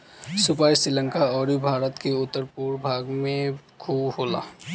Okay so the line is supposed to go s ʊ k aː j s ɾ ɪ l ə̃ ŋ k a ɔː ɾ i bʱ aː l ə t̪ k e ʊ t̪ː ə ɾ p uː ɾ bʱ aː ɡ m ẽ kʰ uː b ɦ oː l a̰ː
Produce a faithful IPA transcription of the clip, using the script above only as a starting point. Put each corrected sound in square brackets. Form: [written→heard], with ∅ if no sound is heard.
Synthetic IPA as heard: s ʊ [k→p] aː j s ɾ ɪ l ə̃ ŋ k a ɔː ɾ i bʱ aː [l→ɾ] ə t̪ k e ʊ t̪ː ə ɾ p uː ɾ bʱ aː ɡ m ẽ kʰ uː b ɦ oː l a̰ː